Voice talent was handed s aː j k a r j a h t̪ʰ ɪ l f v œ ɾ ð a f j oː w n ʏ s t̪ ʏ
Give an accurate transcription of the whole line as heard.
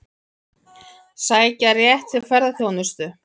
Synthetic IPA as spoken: s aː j c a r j ɛ h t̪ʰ ɪ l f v ɛ ɾ ð a θ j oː w n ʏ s t̪ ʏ